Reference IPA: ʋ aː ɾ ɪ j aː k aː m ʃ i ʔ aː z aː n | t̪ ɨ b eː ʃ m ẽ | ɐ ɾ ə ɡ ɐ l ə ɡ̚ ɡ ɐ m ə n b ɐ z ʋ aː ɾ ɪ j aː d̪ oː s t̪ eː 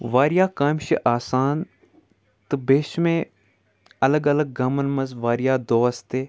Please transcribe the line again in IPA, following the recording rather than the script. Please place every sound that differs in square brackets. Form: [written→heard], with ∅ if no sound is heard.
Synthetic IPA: ʋ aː ɾ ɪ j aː k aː m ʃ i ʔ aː [z→s] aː n | t̪ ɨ b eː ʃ m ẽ | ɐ [ɾ→l] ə ɡ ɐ l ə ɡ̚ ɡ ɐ m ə n [b→m] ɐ z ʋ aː ɾ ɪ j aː d̪ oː s t̪ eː